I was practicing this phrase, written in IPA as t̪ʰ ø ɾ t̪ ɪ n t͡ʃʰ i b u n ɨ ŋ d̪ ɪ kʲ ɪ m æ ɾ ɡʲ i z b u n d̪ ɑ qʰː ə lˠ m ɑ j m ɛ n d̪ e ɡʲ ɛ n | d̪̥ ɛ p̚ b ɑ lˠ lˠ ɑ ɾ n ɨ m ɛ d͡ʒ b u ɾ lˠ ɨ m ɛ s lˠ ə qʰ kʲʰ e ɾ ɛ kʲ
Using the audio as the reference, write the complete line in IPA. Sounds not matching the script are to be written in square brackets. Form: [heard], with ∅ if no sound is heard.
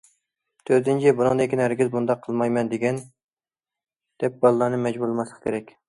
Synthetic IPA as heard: t̪ʰ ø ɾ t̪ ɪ n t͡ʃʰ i b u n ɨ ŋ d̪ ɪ kʲ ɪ [n] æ ɾ ɡʲ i z b u n d̪ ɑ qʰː ə lˠ m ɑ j m ɛ n d̪ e ɡʲ ɛ n | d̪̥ ɛ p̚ b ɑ lˠ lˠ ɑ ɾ n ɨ m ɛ d͡ʒ b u ɾ lˠ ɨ m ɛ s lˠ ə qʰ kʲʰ e ɾ ɛ kʲ